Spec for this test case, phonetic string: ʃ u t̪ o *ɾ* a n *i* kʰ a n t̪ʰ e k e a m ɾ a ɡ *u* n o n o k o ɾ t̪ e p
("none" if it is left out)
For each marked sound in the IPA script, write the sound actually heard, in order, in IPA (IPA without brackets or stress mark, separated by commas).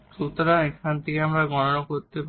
ɾ, e, ɔ